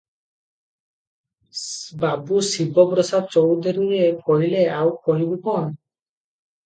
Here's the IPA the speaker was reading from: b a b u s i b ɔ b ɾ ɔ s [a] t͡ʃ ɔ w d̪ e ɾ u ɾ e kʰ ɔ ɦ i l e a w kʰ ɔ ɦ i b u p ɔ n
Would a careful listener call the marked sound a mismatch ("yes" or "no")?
no